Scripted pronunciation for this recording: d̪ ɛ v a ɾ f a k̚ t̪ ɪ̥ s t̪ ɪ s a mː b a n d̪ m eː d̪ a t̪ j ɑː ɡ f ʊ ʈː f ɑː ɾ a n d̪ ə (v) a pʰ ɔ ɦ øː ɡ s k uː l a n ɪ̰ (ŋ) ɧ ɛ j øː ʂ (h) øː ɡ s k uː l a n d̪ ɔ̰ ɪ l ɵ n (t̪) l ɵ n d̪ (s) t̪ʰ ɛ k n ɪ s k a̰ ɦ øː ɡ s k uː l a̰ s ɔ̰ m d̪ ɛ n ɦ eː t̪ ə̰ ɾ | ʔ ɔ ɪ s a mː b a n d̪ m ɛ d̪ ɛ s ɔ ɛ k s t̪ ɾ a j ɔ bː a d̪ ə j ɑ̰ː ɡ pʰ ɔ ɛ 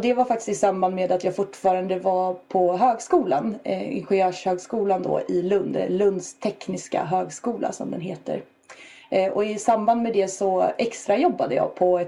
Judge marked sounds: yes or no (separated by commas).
yes, no, yes, no, yes